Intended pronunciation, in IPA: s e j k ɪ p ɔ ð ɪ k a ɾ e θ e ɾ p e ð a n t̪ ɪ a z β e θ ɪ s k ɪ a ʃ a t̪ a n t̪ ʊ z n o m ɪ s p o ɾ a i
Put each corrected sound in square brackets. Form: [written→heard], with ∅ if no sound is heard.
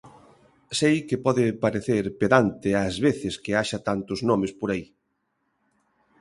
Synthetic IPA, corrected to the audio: s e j k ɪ p ɔ ð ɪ [k→p] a ɾ e θ e ɾ p e ð a n t̪ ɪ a z β e θ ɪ s k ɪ a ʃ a t̪ a n t̪ ʊ z n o m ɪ s p o ɾ a i